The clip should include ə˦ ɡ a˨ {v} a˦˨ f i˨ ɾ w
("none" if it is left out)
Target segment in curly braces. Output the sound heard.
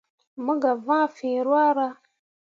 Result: v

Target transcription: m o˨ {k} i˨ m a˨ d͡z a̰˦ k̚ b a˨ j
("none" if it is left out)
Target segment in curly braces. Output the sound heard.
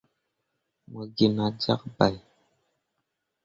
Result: ɡ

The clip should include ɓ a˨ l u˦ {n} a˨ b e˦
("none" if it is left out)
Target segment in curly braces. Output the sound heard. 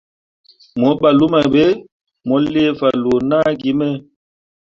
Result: m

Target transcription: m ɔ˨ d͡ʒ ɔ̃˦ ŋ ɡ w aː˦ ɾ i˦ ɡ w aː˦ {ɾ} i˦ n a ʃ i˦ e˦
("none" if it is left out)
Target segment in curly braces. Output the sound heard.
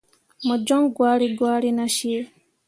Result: ɾ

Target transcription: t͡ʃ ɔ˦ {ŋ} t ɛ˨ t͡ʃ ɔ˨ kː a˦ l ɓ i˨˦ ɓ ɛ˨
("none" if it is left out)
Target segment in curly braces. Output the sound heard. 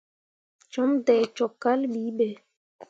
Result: m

